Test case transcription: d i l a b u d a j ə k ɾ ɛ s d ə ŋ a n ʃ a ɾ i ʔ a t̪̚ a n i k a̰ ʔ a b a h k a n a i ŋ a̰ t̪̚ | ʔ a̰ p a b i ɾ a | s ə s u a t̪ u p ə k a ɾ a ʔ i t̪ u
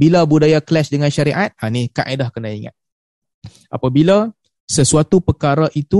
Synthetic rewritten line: b i l a b u d a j a k l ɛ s d ə ŋ a n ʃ a ɾ i ʔ a t̪̚ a n i k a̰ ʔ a d a h k ə n a i ŋ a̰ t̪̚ | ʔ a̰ p a b i l a | s ə s u a t̪ u p ə k a ɾ a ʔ i t̪ u